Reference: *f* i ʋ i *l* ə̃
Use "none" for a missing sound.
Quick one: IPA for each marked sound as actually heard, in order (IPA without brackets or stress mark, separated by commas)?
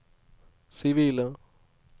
s, l